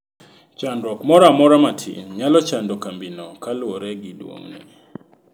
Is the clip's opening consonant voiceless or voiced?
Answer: voiceless